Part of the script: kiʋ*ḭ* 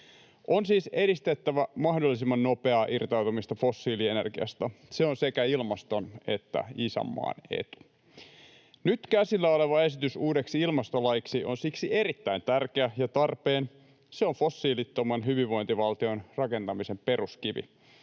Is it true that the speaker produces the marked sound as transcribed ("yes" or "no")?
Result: yes